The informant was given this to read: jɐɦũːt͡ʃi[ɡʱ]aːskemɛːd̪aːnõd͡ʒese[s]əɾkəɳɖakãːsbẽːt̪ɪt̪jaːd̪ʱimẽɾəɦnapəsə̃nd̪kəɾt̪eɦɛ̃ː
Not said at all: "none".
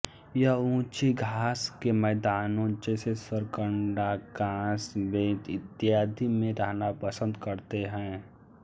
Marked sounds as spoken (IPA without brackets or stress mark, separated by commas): ɡʱ, s